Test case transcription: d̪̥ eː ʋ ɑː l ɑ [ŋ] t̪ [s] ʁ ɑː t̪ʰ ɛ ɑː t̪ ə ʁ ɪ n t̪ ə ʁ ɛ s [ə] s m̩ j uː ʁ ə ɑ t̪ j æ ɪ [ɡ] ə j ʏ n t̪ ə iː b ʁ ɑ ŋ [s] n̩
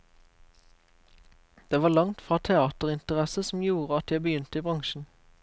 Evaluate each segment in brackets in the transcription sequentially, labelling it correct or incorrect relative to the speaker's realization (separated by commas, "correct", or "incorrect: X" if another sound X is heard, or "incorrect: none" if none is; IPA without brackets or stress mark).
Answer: correct, incorrect: f, correct, incorrect: b, incorrect: ʃ